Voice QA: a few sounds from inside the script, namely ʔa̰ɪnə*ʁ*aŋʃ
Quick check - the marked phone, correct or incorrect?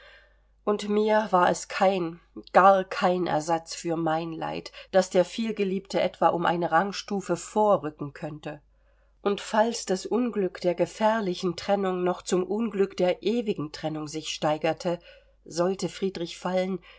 correct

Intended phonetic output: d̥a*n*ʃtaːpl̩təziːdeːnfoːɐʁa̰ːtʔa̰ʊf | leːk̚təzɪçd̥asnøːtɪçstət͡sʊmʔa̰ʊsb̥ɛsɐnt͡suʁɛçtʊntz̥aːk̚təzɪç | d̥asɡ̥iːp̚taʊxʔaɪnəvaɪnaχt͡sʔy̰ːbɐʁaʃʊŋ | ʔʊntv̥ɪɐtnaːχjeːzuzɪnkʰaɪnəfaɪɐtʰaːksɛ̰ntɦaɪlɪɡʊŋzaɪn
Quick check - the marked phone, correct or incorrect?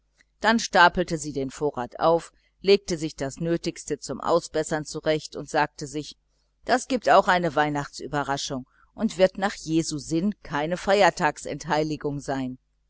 correct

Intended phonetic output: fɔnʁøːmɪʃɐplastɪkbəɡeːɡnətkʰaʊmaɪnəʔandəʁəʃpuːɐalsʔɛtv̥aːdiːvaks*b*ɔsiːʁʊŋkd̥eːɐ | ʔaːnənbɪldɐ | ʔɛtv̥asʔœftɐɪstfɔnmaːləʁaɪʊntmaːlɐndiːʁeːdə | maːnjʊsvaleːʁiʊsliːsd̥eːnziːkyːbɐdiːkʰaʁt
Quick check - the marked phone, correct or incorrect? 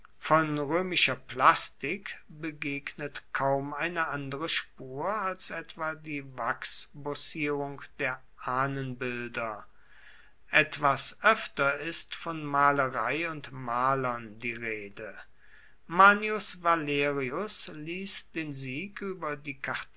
correct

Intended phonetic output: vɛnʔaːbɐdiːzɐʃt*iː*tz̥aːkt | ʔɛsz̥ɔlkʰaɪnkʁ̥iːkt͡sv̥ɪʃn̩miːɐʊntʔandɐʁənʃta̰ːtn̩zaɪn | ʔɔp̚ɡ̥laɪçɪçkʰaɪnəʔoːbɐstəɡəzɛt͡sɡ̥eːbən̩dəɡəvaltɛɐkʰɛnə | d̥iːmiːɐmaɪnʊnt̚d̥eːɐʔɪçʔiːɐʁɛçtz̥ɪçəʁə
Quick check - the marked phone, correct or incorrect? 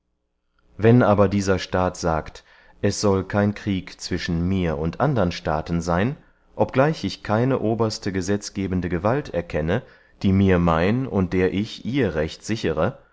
incorrect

